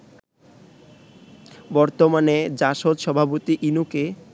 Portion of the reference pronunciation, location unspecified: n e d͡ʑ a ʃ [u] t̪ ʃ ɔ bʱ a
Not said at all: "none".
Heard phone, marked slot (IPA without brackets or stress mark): o